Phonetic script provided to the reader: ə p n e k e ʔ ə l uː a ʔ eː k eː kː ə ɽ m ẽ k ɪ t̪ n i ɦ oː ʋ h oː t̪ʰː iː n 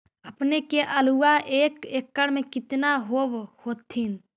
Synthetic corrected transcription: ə p n e k e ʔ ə l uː a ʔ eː k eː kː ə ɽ m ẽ k ɪ t̪ n a ɦ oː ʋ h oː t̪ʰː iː n